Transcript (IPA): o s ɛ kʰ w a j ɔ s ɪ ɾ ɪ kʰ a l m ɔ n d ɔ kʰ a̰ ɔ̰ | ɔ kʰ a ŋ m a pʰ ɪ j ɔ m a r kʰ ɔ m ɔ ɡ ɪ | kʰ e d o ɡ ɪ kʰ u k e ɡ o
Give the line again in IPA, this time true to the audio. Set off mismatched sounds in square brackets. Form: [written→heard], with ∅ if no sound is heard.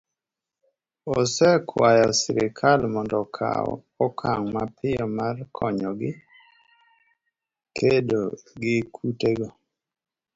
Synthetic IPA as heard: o s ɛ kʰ w a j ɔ s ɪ ɾ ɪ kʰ a l m ɔ n d ɔ kʰ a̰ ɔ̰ | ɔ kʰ a ŋ m a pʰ ɪ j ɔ m a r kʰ ɔ [m→ɲ] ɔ ɡ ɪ | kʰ e d o ɡ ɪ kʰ u [k→t] e ɡ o